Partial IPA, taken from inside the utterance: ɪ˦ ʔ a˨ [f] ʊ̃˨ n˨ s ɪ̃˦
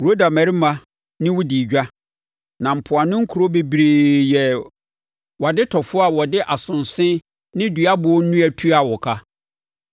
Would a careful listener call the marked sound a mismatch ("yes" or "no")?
yes